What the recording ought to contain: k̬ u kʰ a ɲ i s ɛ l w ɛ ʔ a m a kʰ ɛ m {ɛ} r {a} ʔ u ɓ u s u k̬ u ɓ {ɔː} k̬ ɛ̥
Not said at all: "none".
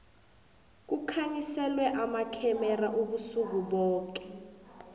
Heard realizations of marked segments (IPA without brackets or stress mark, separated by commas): ɛ, a, ɔː